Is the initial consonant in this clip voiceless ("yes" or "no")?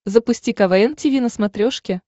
no